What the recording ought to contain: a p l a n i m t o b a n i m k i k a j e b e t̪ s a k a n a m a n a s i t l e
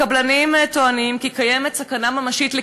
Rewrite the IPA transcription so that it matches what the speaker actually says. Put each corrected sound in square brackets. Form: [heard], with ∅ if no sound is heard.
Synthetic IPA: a [b] l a n i m t o [∅] a n i m k i k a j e [m] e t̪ s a k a n a m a [m] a [ʃ] i t l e